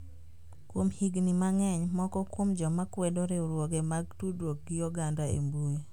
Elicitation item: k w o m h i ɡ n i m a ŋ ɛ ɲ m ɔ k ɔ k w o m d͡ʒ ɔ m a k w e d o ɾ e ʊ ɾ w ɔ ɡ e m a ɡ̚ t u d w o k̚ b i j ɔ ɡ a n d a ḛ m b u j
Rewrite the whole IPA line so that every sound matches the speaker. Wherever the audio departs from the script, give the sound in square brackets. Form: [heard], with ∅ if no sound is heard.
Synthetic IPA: k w o m h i ɡ n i m a ŋ ɛ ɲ m ɔ k ɔ k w o m d͡ʒ ɔ m a k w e d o ɾ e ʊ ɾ w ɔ ɡ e m a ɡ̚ t u d w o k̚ [ɡ] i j ɔ ɡ a n d a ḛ m b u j